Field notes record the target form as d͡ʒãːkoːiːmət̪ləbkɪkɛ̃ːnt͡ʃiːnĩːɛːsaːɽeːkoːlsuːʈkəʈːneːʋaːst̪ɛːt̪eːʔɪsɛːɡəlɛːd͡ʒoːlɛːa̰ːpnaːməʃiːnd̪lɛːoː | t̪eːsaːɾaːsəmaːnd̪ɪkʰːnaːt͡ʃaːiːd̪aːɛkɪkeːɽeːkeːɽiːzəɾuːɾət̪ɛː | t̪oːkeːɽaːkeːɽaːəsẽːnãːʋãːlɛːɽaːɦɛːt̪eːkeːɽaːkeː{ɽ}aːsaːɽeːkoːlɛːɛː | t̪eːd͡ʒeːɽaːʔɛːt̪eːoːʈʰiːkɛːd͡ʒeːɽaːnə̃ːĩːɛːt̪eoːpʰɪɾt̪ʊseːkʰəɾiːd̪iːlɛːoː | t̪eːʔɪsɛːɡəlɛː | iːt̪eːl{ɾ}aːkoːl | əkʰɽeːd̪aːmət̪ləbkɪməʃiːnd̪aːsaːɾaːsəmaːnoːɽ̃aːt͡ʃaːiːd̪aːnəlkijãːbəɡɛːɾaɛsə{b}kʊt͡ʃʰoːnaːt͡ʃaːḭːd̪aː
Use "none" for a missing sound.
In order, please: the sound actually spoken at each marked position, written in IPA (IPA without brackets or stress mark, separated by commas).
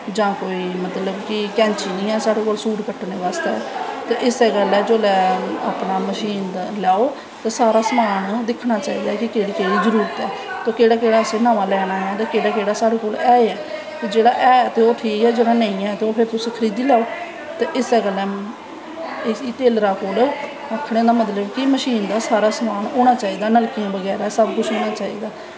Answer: ɽ, ɾ, b